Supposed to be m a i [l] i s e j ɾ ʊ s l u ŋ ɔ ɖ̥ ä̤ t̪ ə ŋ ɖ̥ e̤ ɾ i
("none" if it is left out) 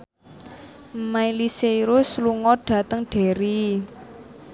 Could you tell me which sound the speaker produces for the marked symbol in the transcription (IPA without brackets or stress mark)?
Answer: l